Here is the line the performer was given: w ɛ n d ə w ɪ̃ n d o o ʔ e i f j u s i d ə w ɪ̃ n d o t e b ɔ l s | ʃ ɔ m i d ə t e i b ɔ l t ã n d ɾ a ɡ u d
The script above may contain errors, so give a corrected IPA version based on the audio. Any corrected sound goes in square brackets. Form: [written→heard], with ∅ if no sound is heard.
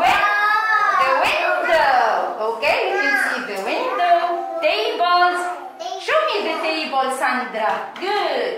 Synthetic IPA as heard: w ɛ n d ə w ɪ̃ n d o o [ʔ→k] e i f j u s i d ə w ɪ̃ n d o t e b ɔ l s | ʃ [ɔ→o] m i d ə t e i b ɔ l [t→s] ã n d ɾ a ɡ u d

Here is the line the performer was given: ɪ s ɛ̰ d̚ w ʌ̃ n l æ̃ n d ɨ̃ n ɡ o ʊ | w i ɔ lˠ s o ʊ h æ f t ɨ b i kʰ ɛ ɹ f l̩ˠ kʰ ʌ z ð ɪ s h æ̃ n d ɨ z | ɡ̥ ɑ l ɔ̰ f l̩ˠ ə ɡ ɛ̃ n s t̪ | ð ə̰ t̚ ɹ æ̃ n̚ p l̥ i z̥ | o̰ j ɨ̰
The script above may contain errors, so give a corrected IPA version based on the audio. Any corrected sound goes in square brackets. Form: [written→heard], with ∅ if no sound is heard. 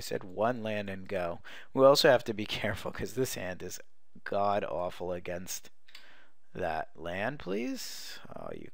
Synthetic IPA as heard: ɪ s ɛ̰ d̚ w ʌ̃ n l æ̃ n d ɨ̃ n ɡ o ʊ | w i ɔ lˠ s o ʊ h æ f t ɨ b i kʰ ɛ ɹ f l̩ˠ kʰ ʌ z ð ɪ s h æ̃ n d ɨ z | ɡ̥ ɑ [l→ɾ] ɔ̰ f l̩ˠ ə ɡ ɛ̃ n s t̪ | ð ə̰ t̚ [ɹ→l] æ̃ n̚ [p→pʰ] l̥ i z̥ | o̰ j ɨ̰

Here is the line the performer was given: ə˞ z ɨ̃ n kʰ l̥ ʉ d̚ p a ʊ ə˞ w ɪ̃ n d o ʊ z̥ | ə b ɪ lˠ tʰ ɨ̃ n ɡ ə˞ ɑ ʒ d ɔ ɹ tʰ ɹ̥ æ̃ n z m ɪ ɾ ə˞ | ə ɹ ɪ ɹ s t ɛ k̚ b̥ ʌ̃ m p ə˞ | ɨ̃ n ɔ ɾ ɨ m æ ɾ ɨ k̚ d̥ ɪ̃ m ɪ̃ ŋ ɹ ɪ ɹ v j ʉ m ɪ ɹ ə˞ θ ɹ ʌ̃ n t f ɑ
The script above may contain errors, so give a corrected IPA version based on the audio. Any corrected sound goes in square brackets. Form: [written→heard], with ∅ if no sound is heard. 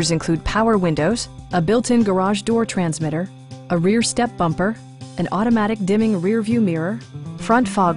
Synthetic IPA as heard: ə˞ z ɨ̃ n kʰ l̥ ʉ d̚ [p→pʰ] a ʊ ə˞ w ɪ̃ n d o ʊ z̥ | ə b ɪ lˠ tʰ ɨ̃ n ɡ ə˞ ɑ ʒ d ɔ ɹ tʰ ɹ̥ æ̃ n z m ɪ ɾ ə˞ | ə ɹ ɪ ɹ s t ɛ [k̚→p̚] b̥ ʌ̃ m p ə˞ | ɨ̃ n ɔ ɾ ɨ m æ ɾ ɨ k̚ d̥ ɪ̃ m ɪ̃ ŋ ɹ ɪ ɹ v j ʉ m ɪ ɹ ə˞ [θ→f] ɹ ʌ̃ n t f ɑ

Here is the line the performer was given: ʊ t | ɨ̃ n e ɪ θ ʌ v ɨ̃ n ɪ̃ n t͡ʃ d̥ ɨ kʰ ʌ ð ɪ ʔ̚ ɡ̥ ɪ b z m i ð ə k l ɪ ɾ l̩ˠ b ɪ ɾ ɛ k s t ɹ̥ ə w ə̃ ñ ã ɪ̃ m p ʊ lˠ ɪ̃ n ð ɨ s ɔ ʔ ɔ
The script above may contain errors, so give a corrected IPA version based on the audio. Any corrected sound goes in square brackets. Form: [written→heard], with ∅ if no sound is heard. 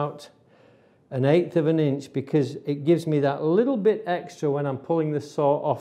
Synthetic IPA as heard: ʊ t | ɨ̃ n e ɪ θ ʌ v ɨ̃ n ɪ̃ n t͡ʃ [d̥→b̥] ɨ kʰ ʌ [ð→z] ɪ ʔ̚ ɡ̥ ɪ [b→v] z m i ð ə [k→ʔ] l ɪ ɾ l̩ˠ b ɪ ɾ ɛ k s t ɹ̥ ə w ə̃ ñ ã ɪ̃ m [p→pʰ] ʊ lˠ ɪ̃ [n→ŋ] ð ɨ s ɔ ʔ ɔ

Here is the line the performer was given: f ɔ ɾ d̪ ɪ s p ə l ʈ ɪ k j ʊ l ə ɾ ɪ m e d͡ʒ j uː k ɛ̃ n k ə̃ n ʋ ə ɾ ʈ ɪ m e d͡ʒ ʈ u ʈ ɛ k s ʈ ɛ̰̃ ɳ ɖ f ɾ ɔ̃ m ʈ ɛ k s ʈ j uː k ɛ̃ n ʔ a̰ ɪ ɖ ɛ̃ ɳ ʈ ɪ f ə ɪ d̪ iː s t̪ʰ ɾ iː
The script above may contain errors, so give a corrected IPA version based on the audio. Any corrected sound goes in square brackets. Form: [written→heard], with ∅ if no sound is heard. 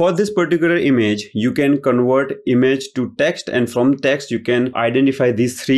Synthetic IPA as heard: f ɔ ɾ d̪ ɪ s p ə [l→ɾ] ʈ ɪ k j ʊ l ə ɾ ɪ m e d͡ʒ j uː k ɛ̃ n k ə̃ n ʋ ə ɾ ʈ ɪ m e d͡ʒ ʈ u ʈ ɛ k s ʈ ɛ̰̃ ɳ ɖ f ɾ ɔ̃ m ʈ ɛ k s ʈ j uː k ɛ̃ n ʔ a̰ ɪ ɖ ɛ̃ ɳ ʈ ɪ f [ə→a] ɪ d̪ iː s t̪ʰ ɾ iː

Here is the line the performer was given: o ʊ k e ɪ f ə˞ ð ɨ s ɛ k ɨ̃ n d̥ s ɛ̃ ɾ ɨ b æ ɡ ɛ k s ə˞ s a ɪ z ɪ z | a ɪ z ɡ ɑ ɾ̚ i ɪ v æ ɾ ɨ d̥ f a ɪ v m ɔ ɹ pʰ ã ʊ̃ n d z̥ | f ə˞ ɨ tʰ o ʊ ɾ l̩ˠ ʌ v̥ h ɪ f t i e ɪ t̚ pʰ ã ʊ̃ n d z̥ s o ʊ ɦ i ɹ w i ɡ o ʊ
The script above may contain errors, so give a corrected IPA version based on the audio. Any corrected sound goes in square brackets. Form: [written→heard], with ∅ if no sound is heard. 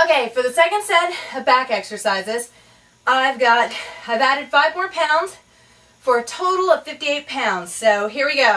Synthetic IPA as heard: o ʊ k e ɪ f ə˞ ð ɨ s ɛ k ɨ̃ n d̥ s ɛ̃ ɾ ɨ b æ [ɡ→k] ɛ k s ə˞ s a ɪ z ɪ z | a ɪ [z→v] ɡ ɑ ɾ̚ [i→a] ɪ v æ ɾ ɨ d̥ f a ɪ v m ɔ ɹ pʰ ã ʊ̃ n d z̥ | f ə˞ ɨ tʰ o ʊ ɾ l̩ˠ ʌ v̥ [h→f] ɪ f t i e ɪ t̚ pʰ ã ʊ̃ n d z̥ s o ʊ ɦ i ɹ w i ɡ o ʊ

